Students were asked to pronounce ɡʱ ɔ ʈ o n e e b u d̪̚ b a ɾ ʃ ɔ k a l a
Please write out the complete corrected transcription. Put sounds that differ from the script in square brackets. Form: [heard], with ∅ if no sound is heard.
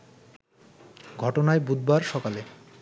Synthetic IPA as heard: ɡʱ ɔ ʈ o n [a] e b u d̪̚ b a ɾ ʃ ɔ k a l [e]